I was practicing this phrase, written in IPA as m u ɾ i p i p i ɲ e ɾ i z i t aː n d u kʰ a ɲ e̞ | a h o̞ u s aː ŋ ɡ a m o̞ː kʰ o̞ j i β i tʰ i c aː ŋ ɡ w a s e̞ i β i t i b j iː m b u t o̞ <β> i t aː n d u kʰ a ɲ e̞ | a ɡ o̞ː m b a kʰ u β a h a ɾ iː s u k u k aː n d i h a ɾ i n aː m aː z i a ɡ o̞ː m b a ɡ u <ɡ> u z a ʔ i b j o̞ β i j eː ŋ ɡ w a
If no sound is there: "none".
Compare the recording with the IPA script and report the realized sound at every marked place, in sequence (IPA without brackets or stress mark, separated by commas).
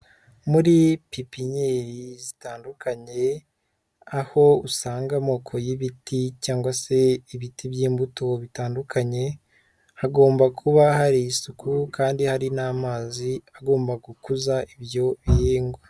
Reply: β, k